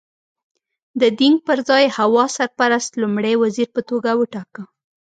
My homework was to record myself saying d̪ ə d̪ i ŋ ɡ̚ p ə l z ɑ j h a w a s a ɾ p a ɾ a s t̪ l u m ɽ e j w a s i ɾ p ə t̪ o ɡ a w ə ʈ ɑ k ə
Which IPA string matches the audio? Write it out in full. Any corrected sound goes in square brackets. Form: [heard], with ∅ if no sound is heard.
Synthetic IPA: d̪ ə d̪ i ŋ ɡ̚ p ə [ɾ] z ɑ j h a w [ɑ] s a ɾ p a ɾ a s t̪ l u m ɽ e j w a [z] i ɾ p ə t̪ o ɡ a w ə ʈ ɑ k ə